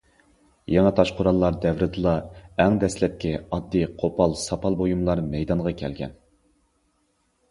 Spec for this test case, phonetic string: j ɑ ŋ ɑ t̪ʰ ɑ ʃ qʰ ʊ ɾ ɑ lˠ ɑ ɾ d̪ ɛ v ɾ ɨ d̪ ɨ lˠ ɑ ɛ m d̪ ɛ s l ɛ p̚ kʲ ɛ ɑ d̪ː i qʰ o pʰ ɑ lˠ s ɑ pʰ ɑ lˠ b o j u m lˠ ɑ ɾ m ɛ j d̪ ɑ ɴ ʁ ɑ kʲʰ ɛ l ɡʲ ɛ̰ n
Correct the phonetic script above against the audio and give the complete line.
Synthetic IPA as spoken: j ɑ ŋ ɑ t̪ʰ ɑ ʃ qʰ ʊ ɾ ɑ lˠː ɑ ɾ d̪ ɛ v ɾ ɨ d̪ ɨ lˠ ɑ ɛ ŋ d̪ ɛ s l ɛ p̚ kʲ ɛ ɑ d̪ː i qʰ o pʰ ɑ lˠ s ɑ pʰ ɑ lˠ b o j u m lˠ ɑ ɾ m ɛ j d̪ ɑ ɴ ʁ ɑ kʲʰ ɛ l ɡʲ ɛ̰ n